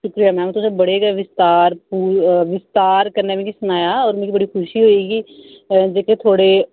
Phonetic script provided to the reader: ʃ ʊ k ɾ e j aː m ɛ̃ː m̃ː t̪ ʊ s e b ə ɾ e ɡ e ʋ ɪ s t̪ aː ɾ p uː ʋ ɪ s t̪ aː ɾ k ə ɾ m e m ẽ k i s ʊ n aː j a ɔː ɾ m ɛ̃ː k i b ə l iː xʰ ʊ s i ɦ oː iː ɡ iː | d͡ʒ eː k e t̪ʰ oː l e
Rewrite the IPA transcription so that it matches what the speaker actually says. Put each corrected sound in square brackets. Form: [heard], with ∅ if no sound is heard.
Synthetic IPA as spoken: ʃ ʊ k ɾ [i] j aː m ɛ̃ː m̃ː t̪ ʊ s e b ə [ɽ] e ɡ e ʋ ɪ s t̪ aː ɾ p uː ʋ ɪ s t̪ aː ɾ k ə ɾ [n] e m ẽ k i s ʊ n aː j a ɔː ɾ m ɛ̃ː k i b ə [ɽ] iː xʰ ʊ [ʃ] i ɦ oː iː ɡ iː | d͡ʒ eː k e t̪ʰ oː [ɽ] e